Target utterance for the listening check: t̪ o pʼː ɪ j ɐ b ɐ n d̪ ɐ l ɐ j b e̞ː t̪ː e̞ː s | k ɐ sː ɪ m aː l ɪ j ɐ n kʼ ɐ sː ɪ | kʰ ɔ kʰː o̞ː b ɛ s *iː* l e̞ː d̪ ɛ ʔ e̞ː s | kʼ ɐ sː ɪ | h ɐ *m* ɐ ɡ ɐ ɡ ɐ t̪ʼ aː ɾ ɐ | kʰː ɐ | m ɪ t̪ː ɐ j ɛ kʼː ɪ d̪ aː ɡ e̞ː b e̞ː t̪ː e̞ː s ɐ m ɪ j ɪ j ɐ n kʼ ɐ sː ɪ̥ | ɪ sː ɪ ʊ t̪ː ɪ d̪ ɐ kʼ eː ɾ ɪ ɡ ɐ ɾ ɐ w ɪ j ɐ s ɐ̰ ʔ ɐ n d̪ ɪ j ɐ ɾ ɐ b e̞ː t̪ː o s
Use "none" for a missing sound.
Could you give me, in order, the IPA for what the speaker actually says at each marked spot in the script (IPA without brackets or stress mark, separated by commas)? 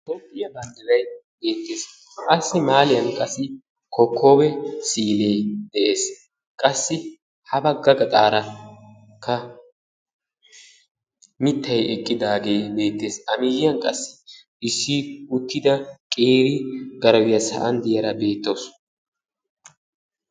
iː, b